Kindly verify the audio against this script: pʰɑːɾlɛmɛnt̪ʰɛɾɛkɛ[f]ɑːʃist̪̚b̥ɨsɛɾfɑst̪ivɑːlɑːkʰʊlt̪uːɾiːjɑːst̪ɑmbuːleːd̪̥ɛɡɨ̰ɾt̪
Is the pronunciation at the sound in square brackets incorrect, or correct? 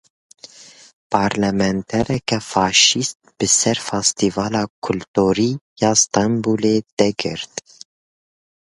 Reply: correct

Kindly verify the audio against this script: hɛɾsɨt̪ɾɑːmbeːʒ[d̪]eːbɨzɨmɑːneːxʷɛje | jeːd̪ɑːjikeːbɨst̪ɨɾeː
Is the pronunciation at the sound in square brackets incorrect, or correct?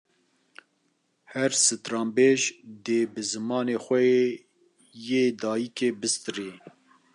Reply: correct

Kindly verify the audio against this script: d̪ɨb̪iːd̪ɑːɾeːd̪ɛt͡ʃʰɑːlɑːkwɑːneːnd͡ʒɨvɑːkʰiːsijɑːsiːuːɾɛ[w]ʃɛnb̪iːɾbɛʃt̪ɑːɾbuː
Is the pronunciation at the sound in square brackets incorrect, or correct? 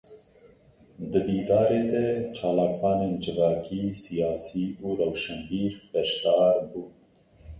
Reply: correct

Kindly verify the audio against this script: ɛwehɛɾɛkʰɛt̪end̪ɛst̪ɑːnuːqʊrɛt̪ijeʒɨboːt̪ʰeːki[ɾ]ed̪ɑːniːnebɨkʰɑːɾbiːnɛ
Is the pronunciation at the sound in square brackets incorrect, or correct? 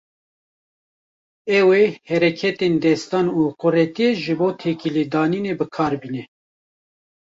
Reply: incorrect: l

